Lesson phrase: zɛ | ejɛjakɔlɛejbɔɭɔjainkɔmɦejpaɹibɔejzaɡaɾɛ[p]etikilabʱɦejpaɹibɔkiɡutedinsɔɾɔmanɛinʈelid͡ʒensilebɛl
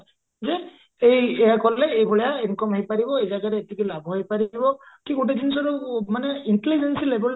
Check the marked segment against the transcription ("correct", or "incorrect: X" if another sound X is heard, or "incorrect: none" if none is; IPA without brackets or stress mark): incorrect: none